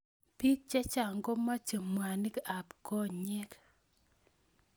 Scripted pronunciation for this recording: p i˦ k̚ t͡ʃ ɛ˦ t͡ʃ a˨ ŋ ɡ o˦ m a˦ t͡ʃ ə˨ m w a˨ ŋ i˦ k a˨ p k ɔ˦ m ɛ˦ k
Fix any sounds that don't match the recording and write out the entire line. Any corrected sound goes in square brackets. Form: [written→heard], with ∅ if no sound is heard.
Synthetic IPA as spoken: p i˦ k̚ t͡ʃ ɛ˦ t͡ʃ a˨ ŋ ɡ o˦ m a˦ t͡ʃ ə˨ m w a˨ [ŋ→n] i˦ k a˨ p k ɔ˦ [m→ɲ] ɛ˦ k